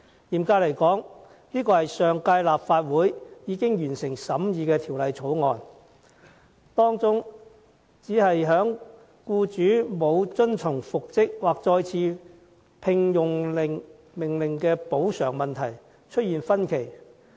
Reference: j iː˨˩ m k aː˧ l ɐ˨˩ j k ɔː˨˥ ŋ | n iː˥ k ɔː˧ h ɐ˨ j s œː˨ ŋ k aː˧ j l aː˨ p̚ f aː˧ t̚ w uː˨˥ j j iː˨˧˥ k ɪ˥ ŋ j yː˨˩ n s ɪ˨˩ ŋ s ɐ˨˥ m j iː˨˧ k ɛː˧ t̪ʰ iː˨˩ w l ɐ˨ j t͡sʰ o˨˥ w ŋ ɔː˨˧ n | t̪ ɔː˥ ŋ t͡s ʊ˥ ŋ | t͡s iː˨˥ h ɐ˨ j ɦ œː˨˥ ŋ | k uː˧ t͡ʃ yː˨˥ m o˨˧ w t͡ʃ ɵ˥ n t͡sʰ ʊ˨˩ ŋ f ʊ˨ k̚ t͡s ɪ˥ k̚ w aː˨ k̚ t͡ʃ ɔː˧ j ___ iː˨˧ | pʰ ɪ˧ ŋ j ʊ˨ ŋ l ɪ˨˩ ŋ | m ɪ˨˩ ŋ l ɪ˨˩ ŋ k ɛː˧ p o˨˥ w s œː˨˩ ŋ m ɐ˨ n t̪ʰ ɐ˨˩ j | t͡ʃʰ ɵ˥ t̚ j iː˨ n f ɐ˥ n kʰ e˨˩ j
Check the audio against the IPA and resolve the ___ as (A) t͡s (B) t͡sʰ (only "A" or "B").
B